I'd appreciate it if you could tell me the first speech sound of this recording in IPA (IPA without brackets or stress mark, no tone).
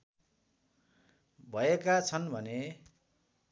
bʱ